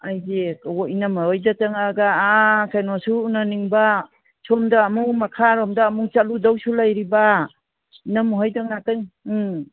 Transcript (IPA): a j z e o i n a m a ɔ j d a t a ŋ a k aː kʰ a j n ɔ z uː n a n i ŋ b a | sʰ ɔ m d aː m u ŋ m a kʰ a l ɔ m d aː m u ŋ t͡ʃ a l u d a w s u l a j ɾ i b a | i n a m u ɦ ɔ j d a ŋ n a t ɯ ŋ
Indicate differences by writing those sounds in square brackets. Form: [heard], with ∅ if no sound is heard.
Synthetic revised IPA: a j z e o i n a m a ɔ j d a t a ŋ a [ɡ] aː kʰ a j n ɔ [s] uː n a n i ŋ b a | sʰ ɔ m d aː m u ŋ m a kʰ a [ɾ] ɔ m d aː m u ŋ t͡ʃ a l u d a w s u l a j ɾ i b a | i n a m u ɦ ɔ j d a ŋ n a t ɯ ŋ